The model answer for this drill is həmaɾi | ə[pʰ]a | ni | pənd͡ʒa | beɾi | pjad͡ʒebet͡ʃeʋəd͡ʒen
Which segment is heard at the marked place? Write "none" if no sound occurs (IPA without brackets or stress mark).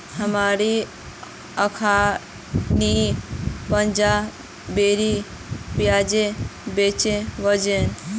kʰ